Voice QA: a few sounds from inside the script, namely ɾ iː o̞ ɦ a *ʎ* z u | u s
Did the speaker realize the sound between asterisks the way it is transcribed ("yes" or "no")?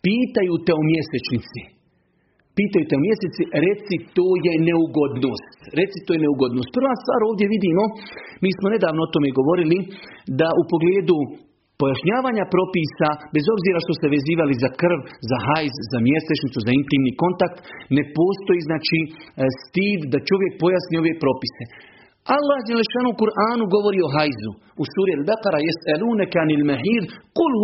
no